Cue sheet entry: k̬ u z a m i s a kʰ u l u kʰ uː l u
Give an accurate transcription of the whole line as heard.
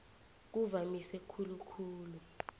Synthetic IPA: k̬ u v a m i s ɛ kʰ u l u kʰ uː l u